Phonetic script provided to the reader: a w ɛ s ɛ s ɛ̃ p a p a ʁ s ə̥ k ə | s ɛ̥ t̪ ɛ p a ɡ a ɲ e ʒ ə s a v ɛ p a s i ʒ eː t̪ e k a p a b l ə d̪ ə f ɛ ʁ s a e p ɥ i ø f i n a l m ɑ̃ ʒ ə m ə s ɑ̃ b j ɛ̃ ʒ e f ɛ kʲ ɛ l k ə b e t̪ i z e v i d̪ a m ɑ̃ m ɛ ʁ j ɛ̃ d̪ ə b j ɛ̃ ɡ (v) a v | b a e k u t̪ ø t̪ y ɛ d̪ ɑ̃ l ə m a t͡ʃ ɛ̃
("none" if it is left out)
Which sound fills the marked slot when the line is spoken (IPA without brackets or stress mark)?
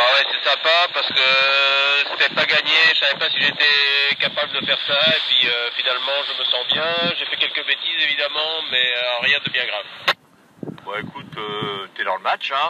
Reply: ʁ